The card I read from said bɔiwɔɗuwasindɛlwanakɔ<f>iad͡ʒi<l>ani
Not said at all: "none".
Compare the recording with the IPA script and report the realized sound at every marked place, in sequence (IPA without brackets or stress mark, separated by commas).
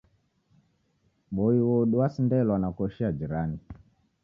ʃ, ɾ